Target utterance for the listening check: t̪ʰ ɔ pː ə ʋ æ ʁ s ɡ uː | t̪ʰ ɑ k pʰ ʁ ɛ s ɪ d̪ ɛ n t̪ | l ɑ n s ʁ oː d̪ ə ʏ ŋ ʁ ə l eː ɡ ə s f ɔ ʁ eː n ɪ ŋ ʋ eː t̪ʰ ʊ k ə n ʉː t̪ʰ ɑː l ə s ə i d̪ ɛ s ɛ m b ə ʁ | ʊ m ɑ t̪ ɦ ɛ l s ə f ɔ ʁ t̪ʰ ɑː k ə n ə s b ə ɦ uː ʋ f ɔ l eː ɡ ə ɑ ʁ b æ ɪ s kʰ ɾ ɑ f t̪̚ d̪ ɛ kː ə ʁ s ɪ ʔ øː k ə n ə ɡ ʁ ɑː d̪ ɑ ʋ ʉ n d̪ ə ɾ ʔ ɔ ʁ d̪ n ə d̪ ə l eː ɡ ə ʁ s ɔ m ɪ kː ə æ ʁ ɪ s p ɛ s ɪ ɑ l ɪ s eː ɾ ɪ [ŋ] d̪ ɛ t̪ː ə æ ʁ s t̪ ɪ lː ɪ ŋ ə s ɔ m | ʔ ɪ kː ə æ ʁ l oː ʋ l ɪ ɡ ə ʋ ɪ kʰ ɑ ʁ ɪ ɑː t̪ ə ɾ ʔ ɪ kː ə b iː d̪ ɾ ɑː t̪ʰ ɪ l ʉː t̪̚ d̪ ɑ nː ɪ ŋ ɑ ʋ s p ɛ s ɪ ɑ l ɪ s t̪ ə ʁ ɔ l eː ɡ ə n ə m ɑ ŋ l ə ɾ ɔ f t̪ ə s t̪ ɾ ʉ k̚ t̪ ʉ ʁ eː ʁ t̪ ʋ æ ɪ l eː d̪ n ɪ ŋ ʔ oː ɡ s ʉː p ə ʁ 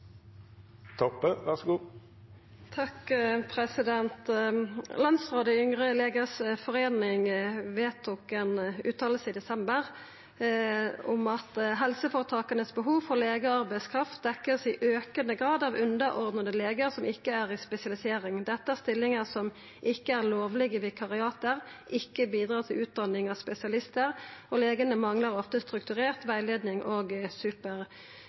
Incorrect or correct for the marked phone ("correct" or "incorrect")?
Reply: correct